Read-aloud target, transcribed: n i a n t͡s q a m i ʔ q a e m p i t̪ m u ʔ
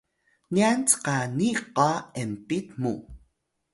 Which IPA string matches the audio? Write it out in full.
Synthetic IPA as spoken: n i a n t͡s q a n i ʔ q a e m p i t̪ m u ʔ